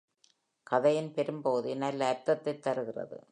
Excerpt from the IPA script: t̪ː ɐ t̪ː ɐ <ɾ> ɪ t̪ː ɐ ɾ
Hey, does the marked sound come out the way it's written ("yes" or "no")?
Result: no